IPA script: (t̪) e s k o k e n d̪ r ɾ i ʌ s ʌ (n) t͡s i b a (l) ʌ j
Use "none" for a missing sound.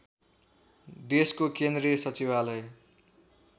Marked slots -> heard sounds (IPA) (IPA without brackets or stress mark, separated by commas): d̪, none, l